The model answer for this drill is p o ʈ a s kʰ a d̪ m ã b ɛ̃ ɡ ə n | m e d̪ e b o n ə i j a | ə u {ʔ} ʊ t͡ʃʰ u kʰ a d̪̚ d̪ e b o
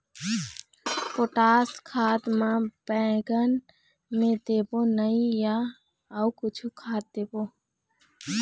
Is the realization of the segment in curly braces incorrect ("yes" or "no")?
yes